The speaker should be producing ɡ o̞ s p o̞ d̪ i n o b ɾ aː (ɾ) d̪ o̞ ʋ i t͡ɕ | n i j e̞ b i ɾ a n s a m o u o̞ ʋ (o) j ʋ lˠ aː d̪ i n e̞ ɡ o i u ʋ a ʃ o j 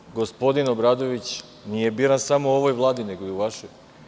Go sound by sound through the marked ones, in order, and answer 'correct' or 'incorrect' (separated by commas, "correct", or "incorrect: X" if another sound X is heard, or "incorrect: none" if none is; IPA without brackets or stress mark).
incorrect: none, correct